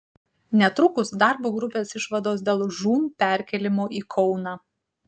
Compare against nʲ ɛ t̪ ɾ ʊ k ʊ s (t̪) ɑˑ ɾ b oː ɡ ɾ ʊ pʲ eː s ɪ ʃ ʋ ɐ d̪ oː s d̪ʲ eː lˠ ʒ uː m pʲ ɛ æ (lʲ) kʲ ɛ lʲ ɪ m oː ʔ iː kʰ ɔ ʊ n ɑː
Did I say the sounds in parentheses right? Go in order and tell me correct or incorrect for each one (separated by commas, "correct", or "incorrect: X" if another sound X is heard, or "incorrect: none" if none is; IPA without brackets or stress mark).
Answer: incorrect: d̪, incorrect: ɾʲ